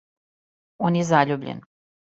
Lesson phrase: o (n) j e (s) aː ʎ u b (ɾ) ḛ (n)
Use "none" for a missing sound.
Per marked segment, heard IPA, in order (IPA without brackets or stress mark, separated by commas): n, z, ʎ, n